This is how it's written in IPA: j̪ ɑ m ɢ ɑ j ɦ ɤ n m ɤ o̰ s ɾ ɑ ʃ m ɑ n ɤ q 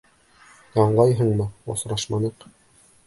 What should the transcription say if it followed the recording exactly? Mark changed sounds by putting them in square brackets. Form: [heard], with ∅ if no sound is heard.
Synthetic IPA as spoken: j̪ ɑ [ɴ] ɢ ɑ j ɦ ɤ [ɴ] m ɤ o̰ s ɾ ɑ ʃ m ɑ n ɤ q